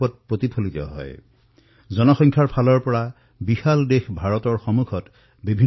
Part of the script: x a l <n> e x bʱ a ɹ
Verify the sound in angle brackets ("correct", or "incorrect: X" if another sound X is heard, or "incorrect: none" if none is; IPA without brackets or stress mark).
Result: incorrect: d